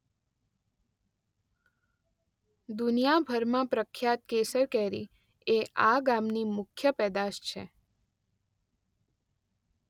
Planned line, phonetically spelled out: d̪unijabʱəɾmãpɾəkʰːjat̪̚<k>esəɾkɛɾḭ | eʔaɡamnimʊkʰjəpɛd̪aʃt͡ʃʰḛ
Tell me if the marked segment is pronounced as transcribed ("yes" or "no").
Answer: yes